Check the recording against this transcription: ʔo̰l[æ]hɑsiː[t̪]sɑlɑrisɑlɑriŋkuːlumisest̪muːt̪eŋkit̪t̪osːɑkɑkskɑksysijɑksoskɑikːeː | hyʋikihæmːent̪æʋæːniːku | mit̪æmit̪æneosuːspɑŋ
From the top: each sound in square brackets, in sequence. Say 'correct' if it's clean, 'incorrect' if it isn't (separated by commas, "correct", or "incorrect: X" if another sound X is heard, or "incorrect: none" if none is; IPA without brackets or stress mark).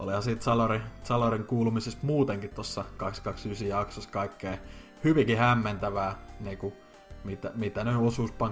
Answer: incorrect: i, correct